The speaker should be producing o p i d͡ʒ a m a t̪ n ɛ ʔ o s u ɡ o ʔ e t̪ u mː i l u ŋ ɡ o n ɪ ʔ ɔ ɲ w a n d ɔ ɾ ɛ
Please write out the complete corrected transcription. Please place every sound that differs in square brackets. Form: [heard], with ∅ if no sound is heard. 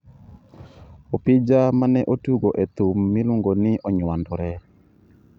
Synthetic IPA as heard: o p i d͡ʒ a m a [∅] n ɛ ʔ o [t] u ɡ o ʔ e t̪ u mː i l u ŋ ɡ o n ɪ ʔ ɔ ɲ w a n d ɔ ɾ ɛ